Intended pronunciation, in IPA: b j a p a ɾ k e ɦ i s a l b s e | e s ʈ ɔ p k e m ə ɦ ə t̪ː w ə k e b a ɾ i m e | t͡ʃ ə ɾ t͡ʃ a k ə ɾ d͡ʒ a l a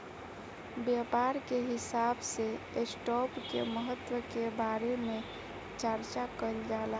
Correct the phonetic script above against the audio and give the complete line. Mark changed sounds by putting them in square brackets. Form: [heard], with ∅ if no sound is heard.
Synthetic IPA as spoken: b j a p a ɾ k e ɦ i s a [∅] b s e | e s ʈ ɔ p k e m ə ɦ ə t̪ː w ə k e b a ɾ [e] m e | t͡ʃ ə ɾ t͡ʃ a k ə [l] d͡ʒ a l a